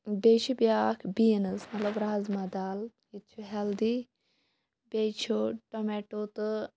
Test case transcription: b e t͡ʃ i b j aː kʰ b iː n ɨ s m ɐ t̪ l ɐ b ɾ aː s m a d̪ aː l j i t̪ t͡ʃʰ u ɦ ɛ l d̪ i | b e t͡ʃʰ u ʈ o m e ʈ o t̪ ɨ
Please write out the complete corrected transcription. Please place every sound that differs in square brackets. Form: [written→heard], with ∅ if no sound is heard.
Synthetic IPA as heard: b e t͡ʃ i b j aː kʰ b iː n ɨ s m ɐ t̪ l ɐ b ɾ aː [s→z] m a d̪ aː l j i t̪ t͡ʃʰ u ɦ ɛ l d̪ i | b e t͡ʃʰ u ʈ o m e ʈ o t̪ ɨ